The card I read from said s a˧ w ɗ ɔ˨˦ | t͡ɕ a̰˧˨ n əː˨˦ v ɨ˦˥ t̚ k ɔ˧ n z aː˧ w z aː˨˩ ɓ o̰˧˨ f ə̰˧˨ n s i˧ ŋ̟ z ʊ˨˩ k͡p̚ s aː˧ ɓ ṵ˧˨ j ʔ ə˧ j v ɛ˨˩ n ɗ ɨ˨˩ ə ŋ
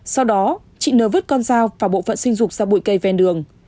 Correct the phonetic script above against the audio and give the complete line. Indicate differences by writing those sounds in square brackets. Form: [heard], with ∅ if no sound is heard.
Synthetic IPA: s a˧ w ɗ ɔ˨˦ | t͡ɕ [ḭ˧˨] n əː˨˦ v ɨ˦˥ t̚ k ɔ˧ n z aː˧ w [v] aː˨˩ ɓ o̰˧˨ f ə̰˧˨ n s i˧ ŋ̟ z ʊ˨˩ k͡p̚ [z] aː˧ ɓ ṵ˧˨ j [k] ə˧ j v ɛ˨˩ n ɗ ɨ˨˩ ə ŋ